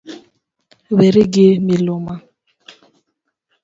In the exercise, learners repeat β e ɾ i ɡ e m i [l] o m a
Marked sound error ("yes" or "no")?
no